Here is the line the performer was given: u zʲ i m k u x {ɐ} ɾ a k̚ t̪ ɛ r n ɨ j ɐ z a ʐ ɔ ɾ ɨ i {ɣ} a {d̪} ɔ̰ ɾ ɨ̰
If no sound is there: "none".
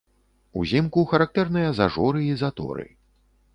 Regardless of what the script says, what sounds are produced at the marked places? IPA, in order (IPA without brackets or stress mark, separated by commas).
ɐ, z, t̪